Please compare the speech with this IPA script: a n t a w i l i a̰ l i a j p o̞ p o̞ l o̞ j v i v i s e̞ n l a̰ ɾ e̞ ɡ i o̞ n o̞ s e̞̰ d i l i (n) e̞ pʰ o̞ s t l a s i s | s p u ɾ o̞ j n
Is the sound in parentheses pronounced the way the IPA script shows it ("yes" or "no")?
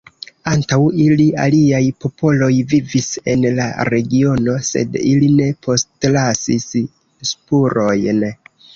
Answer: yes